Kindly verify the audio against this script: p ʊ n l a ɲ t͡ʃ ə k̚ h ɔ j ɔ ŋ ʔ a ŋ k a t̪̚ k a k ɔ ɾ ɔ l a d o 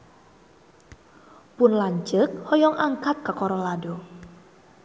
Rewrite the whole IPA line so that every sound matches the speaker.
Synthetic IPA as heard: p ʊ n l a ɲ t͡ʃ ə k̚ h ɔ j ɔ ŋ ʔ a ŋ k a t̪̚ k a k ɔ ɾ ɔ l a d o